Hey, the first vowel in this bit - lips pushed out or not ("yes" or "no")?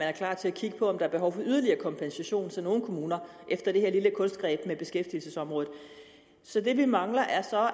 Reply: no